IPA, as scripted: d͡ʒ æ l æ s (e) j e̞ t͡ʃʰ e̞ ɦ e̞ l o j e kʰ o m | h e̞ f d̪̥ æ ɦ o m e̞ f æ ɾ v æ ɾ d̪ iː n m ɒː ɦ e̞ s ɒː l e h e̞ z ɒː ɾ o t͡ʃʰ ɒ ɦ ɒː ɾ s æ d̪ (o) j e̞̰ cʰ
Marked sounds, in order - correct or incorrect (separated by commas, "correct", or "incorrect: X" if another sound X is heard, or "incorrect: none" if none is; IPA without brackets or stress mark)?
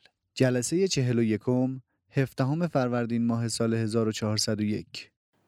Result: correct, correct